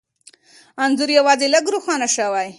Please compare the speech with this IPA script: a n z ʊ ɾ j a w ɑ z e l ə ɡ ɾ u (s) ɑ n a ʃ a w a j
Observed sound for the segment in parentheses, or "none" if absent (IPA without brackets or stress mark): x